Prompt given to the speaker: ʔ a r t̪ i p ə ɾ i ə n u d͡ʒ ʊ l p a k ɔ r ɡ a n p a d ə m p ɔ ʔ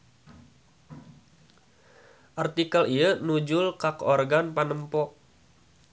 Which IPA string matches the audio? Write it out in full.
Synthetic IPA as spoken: ʔ a r t̪ i k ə l i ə n u d͡ʒ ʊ l k a k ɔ r ɡ a n p a n ə m p ɔ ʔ